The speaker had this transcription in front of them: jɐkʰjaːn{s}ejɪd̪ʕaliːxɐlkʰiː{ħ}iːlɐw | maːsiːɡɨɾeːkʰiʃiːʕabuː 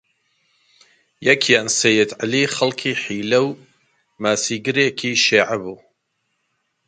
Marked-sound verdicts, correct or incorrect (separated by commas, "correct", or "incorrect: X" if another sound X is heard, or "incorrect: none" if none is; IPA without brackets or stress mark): correct, correct